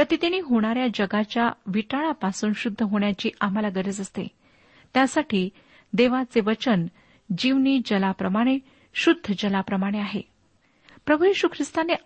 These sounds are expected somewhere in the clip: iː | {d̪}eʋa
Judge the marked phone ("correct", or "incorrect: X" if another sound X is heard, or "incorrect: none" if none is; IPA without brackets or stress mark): correct